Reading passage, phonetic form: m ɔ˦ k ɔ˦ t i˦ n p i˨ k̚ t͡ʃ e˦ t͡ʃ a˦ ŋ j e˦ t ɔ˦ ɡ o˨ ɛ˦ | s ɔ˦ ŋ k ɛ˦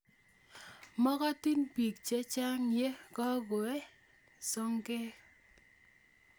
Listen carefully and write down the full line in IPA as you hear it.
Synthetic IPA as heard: m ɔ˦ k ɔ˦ t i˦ n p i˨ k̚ t͡ʃ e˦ t͡ʃ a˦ ŋ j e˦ k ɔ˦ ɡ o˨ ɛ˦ | s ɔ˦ ŋ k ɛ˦

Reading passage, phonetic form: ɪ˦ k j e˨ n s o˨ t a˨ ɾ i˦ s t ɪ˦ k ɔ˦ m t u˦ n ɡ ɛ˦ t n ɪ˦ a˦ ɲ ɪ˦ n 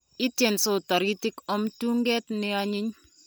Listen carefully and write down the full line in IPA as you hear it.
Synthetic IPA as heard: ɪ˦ t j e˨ n s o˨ t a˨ ɾ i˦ t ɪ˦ k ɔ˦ m t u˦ ŋ ɡ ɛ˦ t n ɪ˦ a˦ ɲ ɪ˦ ɲ

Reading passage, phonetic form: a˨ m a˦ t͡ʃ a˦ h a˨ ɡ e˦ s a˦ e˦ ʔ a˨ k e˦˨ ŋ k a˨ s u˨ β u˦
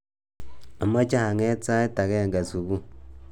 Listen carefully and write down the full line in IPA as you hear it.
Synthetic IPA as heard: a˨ m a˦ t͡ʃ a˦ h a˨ ŋ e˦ t͡s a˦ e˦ t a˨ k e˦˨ ŋ ɡ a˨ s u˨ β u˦

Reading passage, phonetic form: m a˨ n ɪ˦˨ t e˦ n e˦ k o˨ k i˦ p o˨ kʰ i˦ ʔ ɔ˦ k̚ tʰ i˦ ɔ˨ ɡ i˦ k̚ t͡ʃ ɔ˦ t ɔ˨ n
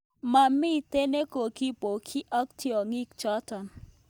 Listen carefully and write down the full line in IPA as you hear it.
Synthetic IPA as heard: m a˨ m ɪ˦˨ t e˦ n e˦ k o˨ k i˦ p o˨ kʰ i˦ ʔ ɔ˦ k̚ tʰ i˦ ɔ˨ ŋ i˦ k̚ t͡ʃ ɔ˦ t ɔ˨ n

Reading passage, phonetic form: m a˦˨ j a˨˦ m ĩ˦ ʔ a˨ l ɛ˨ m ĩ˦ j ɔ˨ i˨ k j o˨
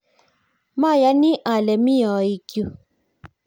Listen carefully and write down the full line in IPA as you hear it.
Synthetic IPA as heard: m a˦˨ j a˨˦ n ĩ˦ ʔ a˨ l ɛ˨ m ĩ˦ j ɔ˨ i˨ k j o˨

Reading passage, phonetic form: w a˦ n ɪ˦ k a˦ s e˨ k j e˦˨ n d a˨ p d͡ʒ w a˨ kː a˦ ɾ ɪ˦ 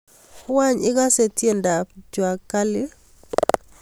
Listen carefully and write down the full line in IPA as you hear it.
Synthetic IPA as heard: w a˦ ɲ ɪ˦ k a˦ s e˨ t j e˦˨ n d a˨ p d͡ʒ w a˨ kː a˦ l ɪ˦

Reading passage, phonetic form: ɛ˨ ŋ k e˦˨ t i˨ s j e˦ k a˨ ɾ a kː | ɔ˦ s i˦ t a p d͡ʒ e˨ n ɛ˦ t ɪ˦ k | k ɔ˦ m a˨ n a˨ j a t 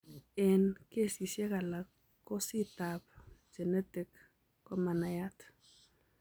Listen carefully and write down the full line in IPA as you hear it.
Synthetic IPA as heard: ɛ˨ n k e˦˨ s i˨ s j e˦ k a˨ l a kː | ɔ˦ s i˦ t a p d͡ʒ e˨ n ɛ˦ t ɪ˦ k | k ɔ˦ m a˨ n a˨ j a t

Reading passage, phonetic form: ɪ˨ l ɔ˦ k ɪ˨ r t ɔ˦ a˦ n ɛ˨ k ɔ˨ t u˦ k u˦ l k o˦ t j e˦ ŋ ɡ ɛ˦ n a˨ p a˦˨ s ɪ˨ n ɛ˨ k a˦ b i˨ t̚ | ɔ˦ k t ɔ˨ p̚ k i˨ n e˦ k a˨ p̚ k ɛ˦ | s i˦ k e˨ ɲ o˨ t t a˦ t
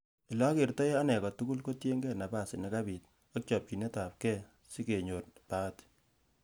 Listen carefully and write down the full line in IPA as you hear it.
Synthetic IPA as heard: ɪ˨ l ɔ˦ k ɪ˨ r t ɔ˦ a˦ n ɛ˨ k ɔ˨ t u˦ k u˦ l k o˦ t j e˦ ŋ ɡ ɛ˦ n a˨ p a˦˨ s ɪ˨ n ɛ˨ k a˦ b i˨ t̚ | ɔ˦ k t͡ʃ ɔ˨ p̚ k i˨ n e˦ t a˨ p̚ k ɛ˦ | s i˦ k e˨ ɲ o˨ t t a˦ t

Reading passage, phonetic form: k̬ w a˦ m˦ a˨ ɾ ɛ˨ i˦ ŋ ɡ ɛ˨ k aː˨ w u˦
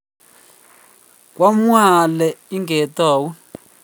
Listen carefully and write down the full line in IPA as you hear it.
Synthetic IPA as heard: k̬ w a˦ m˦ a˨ l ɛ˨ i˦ ŋ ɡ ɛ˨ t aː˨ w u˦

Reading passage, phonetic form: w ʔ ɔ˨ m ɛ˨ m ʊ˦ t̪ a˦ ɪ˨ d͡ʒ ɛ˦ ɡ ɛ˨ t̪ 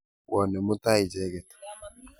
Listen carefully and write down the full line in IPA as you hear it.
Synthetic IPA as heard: w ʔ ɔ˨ n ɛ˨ m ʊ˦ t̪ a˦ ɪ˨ d͡ʒ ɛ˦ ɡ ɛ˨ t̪

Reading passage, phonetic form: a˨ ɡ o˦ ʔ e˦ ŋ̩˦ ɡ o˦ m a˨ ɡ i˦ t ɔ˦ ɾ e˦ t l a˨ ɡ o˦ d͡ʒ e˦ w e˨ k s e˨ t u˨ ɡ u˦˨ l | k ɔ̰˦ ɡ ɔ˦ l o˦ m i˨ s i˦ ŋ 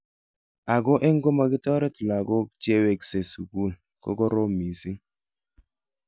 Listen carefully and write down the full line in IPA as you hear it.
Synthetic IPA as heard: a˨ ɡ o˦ ʔ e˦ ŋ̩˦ ɡ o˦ m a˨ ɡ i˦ t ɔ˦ ɾ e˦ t l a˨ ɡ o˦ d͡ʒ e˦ w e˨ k s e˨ s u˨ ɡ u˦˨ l | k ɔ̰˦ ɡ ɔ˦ ɾ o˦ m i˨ s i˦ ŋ

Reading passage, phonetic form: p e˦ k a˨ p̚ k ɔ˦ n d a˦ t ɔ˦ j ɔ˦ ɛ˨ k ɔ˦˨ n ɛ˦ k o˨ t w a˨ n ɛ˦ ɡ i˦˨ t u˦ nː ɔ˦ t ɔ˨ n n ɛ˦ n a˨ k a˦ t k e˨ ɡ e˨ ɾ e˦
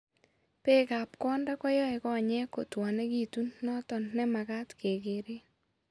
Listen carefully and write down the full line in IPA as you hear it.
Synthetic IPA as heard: p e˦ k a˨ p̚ k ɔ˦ n d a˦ k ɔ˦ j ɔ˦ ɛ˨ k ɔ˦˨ ɲ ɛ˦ k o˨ t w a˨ n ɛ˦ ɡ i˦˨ t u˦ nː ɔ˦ t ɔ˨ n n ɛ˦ m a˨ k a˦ t k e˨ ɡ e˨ ɾ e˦

